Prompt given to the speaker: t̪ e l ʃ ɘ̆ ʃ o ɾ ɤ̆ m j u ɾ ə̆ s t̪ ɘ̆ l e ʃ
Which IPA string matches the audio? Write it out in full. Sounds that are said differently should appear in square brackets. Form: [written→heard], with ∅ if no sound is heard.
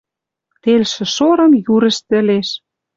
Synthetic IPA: t̪ e l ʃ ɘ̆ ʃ o ɾ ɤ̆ m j u ɾ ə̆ [s→ʃ] t̪ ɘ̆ l e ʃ